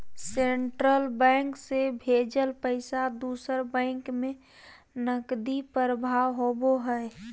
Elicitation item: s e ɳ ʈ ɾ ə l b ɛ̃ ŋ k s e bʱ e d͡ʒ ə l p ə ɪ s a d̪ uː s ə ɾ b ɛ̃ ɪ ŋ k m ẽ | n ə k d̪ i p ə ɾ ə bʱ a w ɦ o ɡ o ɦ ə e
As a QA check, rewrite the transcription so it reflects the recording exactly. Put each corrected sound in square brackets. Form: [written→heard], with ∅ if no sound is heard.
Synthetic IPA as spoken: s e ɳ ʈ ɾ ə l b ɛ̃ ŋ k s e bʱ e d͡ʒ ə l p ə ɪ s a d̪ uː s ə ɾ b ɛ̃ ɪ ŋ k m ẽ | n ə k d̪ i p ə ɾ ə bʱ a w ɦ o [ɡ→b] o ɦ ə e